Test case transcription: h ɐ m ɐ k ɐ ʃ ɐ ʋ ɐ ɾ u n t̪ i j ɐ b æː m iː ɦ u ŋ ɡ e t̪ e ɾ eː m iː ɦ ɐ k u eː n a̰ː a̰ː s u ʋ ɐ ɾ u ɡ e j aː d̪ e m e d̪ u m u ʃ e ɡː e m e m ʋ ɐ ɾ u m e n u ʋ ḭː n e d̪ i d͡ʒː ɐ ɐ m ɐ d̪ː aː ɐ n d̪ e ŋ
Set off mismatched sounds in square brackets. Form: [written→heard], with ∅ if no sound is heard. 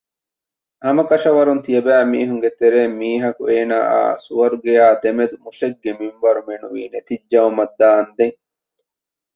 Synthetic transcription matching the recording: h ɐ m ɐ k ɐ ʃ ɐ ʋ ɐ ɾ u n t̪ i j ɐ b æː m iː ɦ u ŋ ɡ e t̪ e ɾ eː m iː ɦ ɐ k u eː n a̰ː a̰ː s u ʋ ɐ ɾ u ɡ e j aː d̪ e m e d̪ u m u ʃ e ɡː e m [e→i] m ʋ ɐ ɾ u m e n u ʋ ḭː n e [d̪→t̪] i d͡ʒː ɐ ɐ m ɐ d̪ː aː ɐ n d̪ e ŋ